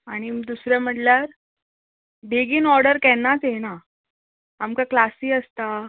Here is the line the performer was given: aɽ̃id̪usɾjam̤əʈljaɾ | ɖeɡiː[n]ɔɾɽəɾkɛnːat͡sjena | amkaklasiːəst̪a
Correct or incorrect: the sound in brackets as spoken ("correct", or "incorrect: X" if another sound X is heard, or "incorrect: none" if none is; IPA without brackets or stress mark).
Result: correct